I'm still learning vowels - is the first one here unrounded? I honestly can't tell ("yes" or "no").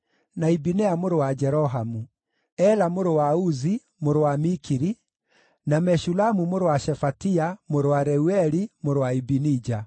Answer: yes